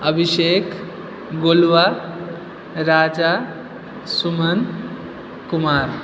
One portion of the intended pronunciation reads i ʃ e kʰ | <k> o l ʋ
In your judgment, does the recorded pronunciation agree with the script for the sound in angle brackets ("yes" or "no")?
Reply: no